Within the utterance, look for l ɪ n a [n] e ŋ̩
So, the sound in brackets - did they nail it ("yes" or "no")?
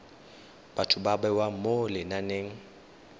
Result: yes